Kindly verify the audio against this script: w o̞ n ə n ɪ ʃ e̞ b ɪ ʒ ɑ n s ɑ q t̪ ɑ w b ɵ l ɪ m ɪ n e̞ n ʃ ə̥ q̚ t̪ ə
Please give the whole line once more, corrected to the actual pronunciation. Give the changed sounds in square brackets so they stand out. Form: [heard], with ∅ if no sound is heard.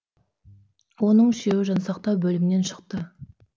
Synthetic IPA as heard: w o̞ n ə [ɴ] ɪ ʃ e̞ [w] ɪ ʒ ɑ n s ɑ q t̪ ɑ w b ɵ l ɪ m ɪ n e̞ n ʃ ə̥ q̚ t̪ ə